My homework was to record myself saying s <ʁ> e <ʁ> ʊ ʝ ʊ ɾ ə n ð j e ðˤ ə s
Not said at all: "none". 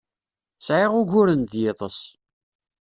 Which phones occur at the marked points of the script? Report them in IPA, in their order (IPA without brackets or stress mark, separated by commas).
ʕ, ʁ